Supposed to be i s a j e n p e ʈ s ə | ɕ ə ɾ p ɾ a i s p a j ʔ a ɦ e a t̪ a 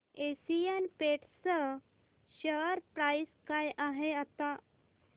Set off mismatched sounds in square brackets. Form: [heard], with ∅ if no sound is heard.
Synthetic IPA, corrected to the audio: [e] s [i] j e n p e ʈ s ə | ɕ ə ɾ p ɾ a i s [k] a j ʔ a ɦ e a t̪ a